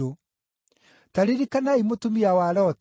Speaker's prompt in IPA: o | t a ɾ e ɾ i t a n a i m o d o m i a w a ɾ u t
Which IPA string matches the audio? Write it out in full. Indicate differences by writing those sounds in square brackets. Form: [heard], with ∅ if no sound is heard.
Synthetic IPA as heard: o | t a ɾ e ɾ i [k] a n a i m o [t] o m i a w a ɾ [ɔ] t